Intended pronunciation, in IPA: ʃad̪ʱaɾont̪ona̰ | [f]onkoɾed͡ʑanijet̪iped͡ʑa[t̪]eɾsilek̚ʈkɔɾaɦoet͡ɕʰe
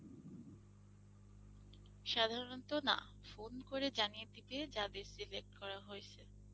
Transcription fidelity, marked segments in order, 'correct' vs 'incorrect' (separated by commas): correct, incorrect